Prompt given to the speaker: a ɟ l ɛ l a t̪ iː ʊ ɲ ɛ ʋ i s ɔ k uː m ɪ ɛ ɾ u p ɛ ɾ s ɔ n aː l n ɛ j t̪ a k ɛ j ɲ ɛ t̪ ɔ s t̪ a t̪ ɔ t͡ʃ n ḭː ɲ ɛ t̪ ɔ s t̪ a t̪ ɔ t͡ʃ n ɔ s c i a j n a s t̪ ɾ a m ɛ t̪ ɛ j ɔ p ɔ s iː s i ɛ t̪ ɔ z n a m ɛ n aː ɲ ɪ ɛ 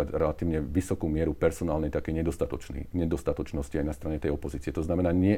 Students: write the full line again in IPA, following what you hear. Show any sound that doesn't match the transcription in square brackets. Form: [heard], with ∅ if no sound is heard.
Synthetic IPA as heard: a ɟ [ɾ] ɛ l a t̪ iː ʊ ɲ ɛ ʋ i s ɔ k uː m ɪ ɛ ɾ u p ɛ ɾ s ɔ n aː l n ɛ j t̪ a k ɛ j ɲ ɛ [d̪] ɔ s t̪ a t̪ ɔ t͡ʃ n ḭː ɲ ɛ [d̪] ɔ s t̪ a t̪ ɔ t͡ʃ n ɔ s c i a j n a s t̪ ɾ a [ɲ] ɛ t̪ ɛ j ɔ p ɔ [z] iː [t͡s] i ɛ t̪ ɔ z n a m ɛ n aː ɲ ɪ ɛ